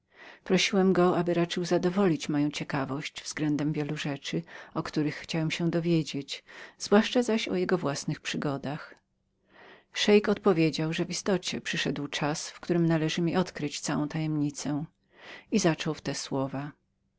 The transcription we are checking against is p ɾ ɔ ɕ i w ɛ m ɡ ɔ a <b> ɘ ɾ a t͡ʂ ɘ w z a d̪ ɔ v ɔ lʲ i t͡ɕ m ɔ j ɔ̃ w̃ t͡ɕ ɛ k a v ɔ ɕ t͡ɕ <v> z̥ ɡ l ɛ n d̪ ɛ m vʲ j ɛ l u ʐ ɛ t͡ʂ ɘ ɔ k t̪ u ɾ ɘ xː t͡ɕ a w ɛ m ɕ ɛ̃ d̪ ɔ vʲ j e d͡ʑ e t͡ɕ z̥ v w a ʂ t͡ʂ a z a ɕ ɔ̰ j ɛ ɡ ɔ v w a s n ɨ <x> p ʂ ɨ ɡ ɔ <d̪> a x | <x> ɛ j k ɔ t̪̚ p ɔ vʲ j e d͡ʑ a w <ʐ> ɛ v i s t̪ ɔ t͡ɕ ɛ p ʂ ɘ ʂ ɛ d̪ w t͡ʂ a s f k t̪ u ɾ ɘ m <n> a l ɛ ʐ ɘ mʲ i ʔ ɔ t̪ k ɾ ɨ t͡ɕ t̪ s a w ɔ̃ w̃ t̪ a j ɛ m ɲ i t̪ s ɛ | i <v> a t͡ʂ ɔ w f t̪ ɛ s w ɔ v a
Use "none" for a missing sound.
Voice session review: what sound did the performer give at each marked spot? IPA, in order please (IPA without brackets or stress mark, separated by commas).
b, v, x, d̪, ʂ, ʐ, n, z